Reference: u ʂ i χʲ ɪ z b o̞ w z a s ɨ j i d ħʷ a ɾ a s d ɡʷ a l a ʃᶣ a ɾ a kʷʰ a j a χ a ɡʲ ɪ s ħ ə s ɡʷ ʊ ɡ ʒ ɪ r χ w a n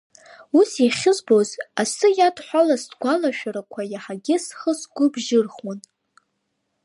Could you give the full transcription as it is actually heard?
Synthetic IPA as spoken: u s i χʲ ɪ z b o̞ z a s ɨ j a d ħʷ a l a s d ɡʷ a l a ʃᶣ a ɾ a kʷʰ a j a ħ a ɡʲ ɪ s χ ə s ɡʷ ʊ b ʒ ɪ r χ w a n